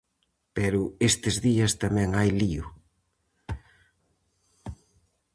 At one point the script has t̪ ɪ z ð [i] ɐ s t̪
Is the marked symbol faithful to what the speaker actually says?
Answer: yes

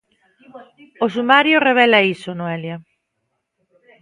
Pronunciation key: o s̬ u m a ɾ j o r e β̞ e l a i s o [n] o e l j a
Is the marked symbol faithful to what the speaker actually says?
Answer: yes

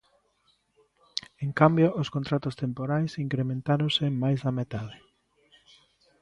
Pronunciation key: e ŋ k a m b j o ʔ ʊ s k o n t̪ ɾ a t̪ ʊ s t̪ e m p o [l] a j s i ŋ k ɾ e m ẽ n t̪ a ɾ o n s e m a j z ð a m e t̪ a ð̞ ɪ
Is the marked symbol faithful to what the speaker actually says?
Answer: no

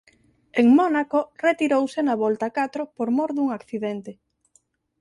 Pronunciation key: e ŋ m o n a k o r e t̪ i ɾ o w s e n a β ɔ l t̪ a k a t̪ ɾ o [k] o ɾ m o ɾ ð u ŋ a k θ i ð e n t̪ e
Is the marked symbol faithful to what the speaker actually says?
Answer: no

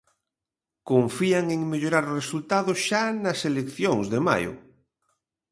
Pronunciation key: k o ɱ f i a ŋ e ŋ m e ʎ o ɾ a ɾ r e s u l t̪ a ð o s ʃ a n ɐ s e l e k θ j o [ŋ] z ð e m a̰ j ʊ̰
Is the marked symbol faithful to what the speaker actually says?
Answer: yes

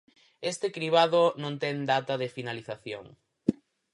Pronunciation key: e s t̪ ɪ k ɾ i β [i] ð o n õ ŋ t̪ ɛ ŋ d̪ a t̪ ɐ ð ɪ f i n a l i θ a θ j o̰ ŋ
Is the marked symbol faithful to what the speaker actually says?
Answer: no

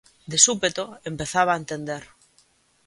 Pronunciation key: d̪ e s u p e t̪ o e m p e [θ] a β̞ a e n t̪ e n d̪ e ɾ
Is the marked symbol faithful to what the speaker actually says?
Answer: yes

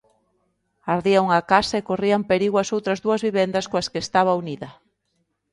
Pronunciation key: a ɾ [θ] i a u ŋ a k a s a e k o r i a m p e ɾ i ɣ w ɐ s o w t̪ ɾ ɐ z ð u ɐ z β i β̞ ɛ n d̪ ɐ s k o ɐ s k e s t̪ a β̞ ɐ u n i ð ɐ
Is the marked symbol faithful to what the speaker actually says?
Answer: no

